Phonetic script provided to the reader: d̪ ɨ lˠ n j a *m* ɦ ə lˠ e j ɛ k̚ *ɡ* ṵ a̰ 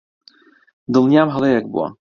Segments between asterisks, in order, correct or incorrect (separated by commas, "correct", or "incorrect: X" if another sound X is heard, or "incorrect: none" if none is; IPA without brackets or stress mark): correct, incorrect: b